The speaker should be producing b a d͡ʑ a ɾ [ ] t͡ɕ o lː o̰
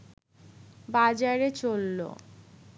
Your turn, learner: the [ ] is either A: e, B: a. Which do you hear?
A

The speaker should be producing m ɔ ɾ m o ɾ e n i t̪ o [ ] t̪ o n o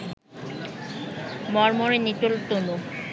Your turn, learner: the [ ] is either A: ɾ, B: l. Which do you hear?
B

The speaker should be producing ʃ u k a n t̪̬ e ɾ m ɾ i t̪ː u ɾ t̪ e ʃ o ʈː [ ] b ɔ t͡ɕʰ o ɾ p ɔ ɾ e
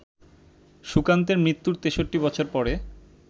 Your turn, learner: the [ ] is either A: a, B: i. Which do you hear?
B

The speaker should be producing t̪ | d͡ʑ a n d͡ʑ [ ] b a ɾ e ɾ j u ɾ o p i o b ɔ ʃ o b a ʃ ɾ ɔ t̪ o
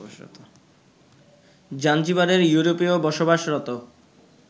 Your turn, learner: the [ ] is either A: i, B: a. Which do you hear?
A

